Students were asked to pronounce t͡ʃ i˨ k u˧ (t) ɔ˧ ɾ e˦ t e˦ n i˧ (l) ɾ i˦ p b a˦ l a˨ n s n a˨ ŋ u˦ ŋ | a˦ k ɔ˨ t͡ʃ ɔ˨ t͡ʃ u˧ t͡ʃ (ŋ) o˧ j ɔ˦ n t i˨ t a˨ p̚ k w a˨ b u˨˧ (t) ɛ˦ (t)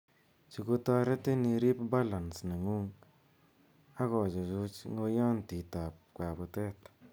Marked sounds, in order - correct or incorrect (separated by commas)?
correct, incorrect, correct, correct, correct